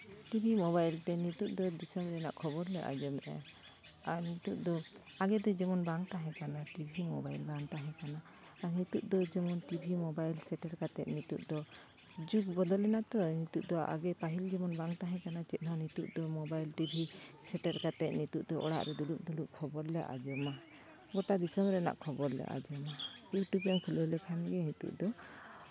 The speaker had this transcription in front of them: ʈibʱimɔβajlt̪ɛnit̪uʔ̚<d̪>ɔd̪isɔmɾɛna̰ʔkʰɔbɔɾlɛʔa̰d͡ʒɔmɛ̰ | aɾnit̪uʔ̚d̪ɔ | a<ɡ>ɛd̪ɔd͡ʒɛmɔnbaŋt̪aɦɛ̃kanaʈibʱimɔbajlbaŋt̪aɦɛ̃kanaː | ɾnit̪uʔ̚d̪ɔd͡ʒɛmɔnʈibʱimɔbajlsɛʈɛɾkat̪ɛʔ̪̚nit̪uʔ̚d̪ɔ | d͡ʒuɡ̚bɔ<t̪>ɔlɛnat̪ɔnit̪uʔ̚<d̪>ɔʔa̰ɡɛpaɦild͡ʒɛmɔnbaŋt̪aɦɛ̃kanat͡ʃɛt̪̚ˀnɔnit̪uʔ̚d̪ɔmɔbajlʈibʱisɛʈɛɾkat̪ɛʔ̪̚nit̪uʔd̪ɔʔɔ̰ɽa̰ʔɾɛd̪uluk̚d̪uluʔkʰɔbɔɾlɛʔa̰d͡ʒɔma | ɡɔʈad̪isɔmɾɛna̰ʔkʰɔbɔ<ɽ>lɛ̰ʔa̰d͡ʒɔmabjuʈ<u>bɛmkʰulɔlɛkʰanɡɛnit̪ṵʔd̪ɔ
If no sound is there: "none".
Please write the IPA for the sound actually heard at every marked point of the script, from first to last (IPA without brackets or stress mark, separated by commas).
d̪, ɡ, d̪, d̪, ɾ, u